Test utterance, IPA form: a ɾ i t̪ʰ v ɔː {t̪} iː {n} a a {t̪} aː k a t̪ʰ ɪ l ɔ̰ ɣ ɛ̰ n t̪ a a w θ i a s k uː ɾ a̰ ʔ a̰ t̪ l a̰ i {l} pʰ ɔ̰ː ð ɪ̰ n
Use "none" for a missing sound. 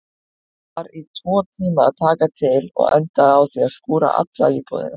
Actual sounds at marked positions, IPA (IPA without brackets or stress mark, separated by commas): t̪ʰ, m, t̪ʰ, none